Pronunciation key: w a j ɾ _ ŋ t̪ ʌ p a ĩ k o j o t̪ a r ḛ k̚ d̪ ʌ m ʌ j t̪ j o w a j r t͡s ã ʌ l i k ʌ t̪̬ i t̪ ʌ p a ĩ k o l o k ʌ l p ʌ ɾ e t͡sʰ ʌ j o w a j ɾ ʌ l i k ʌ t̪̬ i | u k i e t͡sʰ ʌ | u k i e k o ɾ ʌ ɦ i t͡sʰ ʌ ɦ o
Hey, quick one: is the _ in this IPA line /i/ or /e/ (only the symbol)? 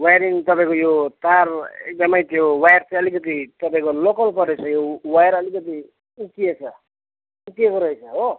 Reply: i